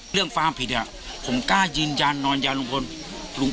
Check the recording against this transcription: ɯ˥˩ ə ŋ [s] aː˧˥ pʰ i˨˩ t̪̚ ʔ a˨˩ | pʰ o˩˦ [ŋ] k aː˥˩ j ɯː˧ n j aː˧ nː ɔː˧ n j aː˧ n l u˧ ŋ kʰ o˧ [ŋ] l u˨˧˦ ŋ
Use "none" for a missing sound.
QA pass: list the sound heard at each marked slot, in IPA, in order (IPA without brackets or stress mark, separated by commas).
f, m, n